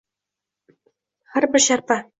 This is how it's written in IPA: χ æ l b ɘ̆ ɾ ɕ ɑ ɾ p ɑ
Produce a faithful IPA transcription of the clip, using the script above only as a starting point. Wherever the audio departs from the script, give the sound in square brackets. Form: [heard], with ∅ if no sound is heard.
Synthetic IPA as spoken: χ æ [ɾ] b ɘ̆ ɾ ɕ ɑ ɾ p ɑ

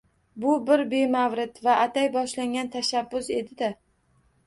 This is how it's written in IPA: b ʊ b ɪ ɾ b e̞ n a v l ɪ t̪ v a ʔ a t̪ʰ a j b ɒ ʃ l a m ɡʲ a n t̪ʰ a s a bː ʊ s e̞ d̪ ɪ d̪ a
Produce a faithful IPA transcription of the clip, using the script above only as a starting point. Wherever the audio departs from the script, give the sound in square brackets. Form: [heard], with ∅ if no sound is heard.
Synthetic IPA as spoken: b ʊ b ɪ ɾ b e̞ [m] a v [ɾ] ɪ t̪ v a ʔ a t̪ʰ a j b ɒ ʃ l a [ŋ] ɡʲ a n t̪ʰ a [ʃ] a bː ʊ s e̞ d̪ ɪ d̪ a

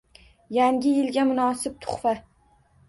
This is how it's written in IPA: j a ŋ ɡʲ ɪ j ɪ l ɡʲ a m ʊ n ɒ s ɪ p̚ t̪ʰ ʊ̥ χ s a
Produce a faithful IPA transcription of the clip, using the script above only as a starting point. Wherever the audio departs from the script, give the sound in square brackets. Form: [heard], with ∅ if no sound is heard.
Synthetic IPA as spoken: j a ŋ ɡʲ ɪ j ɪ l ɡʲ a m ʊ n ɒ s ɪ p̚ t̪ʰ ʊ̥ χ [f] a

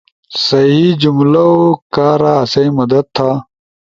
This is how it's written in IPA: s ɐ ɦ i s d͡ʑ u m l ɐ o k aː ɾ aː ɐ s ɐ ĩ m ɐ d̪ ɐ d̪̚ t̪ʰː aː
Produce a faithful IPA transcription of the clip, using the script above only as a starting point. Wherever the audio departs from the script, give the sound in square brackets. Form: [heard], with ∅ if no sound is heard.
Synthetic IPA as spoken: s ɐ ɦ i [∅] d͡ʑ u m l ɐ o k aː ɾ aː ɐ s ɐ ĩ m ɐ d̪ ɐ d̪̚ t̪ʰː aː

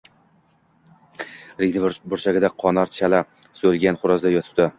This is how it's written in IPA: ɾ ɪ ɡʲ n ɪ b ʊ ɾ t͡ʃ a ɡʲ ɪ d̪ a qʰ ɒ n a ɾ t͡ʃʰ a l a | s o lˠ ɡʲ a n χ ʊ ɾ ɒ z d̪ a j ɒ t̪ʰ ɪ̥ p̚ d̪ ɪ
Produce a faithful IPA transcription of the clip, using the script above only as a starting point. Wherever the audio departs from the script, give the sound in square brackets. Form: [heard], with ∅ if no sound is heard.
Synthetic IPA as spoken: ɾ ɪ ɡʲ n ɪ b ʊ ɾ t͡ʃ a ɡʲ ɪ d̪ a qʰ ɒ n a ɾ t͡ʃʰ a l a | s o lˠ ɡʲ a n χ ʊ ɾ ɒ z d̪ a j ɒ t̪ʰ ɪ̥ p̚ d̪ ɪ

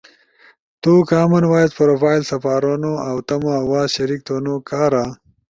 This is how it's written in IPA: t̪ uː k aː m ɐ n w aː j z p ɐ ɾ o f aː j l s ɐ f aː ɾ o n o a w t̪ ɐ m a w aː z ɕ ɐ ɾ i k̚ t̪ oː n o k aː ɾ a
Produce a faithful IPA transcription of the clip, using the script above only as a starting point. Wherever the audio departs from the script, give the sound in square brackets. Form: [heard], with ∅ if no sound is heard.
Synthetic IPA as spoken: t̪ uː k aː m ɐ n w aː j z p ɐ ɾ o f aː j l s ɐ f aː ɾ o n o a w t̪ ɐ m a w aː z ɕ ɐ ɾ i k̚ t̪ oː n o k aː ɾ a

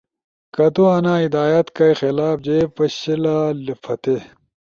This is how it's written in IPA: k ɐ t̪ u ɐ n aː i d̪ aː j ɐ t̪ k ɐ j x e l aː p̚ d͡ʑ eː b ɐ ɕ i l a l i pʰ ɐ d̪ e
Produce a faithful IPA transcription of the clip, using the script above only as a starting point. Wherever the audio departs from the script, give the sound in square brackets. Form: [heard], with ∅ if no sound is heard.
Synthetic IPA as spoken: k ɐ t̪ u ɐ n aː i d̪ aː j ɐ t̪ k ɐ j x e l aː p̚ d͡ʑ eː [p] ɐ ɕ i l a l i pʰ ɐ [t̪] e

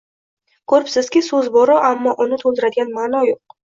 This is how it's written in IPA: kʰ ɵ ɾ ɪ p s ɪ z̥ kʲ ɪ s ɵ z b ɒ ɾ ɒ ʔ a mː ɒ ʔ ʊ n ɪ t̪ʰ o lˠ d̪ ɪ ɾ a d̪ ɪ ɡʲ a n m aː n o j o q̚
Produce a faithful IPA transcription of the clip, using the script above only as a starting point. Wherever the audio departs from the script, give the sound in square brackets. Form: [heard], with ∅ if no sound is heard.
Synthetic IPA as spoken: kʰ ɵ ɾ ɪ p s ɪ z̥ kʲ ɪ s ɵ z b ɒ ɾ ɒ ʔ a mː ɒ ʔ ʊ n ɪ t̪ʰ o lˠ d̪ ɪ ɾ a d̪ ɪ ɡʲ a n m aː n [ɒ] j o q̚

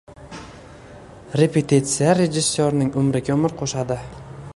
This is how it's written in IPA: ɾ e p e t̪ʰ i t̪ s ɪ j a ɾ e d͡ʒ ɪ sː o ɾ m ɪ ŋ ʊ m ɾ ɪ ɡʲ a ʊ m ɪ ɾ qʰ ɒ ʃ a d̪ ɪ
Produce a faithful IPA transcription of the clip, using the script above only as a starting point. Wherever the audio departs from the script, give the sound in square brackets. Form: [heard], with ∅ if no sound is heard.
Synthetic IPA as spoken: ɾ e p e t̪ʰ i t̪ s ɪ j a ɾ e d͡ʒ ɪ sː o ɾ [n] ɪ ŋ ʊ m ɾ ɪ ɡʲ a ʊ m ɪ ɾ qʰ [o] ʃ a d̪ ɪ

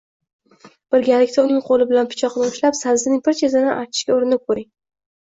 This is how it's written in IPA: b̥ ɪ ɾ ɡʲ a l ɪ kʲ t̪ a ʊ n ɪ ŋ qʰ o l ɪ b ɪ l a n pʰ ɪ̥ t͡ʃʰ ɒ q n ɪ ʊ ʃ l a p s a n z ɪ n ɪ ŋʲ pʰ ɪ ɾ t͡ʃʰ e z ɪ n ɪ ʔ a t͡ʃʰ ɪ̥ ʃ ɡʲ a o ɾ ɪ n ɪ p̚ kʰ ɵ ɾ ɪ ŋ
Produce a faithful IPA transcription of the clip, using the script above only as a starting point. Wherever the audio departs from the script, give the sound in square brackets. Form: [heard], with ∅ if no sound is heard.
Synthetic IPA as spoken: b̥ ɪ ɾ ɡʲ a l ɪ kʲ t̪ a ʊ n ɪ ŋ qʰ o l ɪ b ɪ l a n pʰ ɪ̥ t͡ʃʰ ɒ q n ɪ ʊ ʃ l a p s a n z ɪ n ɪ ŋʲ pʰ ɪ ɾ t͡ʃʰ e z ɪ n ɪ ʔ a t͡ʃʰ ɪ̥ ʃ [kʲ] a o ɾ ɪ n ɪ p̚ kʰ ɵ ɾ ɪ ŋ

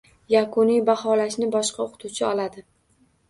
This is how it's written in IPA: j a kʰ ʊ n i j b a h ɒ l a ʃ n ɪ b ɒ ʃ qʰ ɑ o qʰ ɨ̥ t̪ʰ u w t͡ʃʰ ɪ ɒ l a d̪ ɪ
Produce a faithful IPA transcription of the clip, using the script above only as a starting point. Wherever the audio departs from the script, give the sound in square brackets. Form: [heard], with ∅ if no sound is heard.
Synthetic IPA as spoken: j a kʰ ʊ n i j b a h ɒ l a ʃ n ɪ b ɒ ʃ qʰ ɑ o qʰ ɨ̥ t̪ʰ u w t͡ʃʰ ɪ ɒ l a d̪ ɪ

